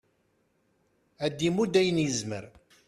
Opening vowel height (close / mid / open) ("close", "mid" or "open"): open